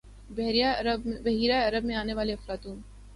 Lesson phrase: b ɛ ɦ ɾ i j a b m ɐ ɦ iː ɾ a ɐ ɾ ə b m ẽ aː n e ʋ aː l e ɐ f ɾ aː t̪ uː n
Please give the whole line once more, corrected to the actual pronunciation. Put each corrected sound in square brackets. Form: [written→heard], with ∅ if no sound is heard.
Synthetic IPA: b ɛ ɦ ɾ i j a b [m→b] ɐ ɦ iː ɾ a ɐ ɾ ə b m ẽ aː n e ʋ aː l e ɐ f ɾ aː t̪ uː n